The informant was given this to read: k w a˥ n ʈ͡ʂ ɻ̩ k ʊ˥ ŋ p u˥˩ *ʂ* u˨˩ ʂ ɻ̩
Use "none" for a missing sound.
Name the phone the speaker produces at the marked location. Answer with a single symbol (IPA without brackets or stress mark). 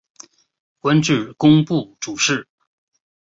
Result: ʈ͡ʂ